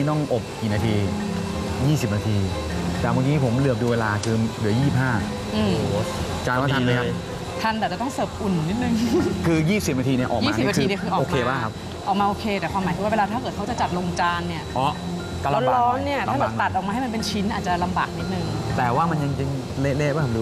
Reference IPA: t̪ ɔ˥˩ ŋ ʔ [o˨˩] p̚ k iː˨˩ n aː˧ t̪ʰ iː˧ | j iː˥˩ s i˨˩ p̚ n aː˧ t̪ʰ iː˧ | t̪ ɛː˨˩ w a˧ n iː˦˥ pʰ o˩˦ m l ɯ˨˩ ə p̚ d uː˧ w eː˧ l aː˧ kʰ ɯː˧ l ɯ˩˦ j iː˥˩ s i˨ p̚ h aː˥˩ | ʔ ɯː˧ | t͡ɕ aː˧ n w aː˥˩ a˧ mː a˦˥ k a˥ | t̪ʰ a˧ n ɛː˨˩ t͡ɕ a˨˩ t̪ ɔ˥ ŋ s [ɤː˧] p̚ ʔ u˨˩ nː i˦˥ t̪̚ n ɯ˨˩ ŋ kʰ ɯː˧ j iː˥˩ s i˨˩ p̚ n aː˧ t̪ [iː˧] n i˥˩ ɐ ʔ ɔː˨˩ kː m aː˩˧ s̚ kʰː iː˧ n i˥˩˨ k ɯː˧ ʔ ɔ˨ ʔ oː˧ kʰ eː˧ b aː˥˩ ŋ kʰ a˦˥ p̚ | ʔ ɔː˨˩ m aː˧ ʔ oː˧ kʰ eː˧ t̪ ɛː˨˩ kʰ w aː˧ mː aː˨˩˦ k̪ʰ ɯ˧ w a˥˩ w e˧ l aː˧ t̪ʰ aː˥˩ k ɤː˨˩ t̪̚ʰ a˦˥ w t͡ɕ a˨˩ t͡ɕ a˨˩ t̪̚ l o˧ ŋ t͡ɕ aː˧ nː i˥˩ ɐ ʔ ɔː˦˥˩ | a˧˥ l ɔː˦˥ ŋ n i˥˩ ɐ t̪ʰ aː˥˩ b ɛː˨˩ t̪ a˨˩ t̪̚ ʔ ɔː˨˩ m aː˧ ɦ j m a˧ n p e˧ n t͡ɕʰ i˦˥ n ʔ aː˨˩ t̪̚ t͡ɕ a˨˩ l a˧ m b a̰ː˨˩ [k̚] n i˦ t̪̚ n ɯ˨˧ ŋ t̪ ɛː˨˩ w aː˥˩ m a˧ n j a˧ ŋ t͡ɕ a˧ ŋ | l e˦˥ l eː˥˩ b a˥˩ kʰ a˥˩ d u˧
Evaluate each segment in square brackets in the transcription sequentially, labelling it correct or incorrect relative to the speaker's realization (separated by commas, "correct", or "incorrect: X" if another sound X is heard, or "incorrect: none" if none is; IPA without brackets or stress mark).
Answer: correct, incorrect: ɤː˨˩, correct, correct